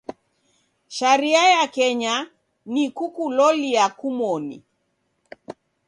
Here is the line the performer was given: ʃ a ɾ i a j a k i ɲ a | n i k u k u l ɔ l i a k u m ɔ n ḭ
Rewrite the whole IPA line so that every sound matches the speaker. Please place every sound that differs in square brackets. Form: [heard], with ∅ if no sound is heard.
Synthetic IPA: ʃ a ɾ i a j a k [ɛ] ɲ a | n i k u k u l ɔ l i a k u m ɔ n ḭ